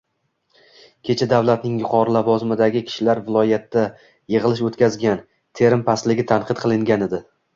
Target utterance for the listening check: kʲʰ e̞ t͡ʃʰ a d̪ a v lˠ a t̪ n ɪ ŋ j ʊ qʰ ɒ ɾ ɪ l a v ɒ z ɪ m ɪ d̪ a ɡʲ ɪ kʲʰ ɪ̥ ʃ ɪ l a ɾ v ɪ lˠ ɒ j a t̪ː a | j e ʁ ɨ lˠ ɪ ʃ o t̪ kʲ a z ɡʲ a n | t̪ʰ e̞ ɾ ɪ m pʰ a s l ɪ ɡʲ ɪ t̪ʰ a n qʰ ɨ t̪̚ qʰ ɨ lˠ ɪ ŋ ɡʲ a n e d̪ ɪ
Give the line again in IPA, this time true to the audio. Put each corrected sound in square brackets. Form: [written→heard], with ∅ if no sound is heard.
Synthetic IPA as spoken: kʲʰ e̞ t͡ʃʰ a d̪ a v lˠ a t̪ n ɪ ŋ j ʊ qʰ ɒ ɾ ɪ l a v ɒ z ɪ m ɪ d̪ a ɡʲ ɪ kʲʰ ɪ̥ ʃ ɪ l a ɾ v ɪ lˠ ɒ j a t̪ː a | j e ʁ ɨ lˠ ɪ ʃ o t̪ kʲ a z ɡʲ a n | t̪ʰ e̞ ɾ ɪ m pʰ a s l ɪ ɡʲ ɪ t̪ʰ a n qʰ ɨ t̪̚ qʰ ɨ lˠ ɪ ŋ ɡʲ a n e d̪ ɪ

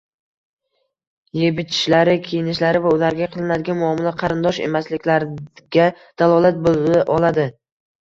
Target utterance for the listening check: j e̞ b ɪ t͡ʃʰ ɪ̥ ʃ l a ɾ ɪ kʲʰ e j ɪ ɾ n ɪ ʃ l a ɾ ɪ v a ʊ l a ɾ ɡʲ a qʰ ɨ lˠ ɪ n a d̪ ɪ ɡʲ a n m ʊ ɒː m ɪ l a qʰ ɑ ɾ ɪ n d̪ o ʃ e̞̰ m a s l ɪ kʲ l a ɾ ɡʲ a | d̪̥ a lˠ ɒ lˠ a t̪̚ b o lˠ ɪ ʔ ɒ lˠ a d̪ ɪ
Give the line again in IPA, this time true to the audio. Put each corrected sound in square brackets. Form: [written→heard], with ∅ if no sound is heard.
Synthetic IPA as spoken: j e̞ b ɪ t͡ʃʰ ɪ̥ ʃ l a ɾ ɪ kʲʰ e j ɪ [ɾ→∅] n ɪ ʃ l a ɾ ɪ v a ʊ l a ɾ ɡʲ a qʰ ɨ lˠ ɪ n a d̪ ɪ ɡʲ a n m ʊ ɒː m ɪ l a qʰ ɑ ɾ ɪ n d̪ [o→ɒ] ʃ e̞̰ m a s l ɪ kʲ l a ɾ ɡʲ a | d̪̥ a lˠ ɒ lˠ a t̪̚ b o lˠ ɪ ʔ ɒ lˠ a d̪ ɪ

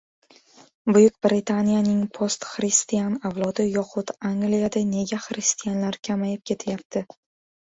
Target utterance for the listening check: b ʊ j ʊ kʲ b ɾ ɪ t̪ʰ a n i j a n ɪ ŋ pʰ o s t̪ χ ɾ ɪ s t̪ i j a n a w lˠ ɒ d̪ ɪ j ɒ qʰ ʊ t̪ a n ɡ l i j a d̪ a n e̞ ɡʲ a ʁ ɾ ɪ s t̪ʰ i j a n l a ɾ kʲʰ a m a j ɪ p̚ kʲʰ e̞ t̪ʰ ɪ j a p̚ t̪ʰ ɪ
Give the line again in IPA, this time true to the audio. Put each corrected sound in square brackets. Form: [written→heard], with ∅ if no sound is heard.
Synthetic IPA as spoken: b ʊ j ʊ kʲ b ɾ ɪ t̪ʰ a n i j a n ɪ ŋ pʰ o s t̪ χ ɾ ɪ s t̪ i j a n a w lˠ ɒ d̪ ɪ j ɒ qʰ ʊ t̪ a [n→ŋ] ɡ l i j a d̪ a n e̞ ɡʲ a [ʁ→χ] ɾ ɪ s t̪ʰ i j a n l a ɾ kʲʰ a m a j ɪ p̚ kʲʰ e̞ t̪ʰ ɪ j a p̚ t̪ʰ ɪ

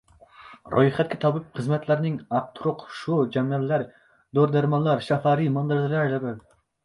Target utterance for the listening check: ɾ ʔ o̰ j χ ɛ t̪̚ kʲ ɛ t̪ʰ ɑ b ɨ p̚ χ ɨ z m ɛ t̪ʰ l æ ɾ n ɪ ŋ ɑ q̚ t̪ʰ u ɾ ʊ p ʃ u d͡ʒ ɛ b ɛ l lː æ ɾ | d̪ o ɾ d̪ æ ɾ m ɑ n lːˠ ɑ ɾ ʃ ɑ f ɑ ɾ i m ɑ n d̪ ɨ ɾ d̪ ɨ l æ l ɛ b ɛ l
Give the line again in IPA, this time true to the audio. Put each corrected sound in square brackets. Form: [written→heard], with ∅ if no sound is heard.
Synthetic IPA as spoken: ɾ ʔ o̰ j χ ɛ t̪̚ kʲ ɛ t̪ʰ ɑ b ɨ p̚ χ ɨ z m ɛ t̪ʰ l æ ɾ n ɪ ŋ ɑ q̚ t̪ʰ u ɾ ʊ [p→q] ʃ u d͡ʒ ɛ [b→m] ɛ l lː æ ɾ | d̪ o ɾ d̪ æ ɾ m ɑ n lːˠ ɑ ɾ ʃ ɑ f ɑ ɾ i m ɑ n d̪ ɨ ɾ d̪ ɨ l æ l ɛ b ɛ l

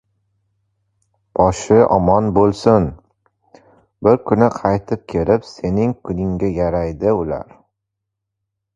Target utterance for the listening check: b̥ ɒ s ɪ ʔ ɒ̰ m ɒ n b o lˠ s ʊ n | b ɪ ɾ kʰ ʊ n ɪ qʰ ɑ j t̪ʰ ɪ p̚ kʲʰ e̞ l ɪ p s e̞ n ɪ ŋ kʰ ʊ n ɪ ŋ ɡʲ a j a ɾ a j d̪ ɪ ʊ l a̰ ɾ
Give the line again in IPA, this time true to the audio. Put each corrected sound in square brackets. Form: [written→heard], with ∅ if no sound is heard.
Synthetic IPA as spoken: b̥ ɒ [s→ʃ] ɪ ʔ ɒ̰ m ɒ n b o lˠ s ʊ n | b ɪ ɾ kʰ ʊ n ɪ qʰ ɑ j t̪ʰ ɪ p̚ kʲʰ e̞ l ɪ p s e̞ n ɪ ŋ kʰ ʊ n ɪ ŋ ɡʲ a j a ɾ a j d̪ ɪ ʊ l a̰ ɾ

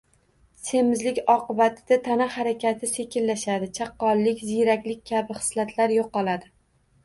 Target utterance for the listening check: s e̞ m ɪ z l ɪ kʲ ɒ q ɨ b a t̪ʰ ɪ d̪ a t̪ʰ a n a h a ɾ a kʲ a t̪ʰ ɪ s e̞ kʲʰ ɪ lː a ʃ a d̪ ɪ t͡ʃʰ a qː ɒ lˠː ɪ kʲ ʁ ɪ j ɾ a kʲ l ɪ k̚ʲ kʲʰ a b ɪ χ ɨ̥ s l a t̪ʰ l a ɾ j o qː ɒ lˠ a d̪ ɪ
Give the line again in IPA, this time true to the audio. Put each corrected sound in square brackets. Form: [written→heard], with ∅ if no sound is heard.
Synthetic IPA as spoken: s e̞ m ɪ z l ɪ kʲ ɒ q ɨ b a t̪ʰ ɪ d̪ a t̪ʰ a n a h a ɾ a kʲ a t̪ʰ ɪ s e̞ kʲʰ ɪ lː a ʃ a d̪ ɪ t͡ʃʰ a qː ɒ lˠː ɪ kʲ [ʁ→z] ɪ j ɾ a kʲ l ɪ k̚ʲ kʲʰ a b ɪ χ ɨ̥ s l a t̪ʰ l a ɾ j o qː ɒ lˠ a d̪ ɪ

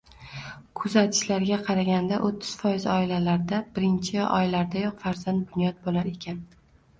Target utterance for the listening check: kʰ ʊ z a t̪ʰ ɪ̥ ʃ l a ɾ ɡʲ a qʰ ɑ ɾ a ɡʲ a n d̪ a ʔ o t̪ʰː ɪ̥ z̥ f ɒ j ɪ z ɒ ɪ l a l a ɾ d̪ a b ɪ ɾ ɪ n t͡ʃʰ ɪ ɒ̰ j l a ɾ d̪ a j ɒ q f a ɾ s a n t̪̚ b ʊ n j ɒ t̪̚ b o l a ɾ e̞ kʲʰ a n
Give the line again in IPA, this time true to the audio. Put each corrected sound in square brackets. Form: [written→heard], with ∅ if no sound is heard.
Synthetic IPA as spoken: kʰ ʊ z a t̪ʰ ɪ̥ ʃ l a ɾ ɡʲ a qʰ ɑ ɾ a ɡʲ a n d̪ a ʔ o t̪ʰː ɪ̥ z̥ f ɒ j ɪ z ɒ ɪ l a l a ɾ d̪ a b ɪ ɾ ɪ n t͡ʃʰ ɪ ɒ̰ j l a ɾ d̪ a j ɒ q f a ɾ [s→z] a n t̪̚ b ʊ n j ɒ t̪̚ b o l a ɾ e̞ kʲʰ a n

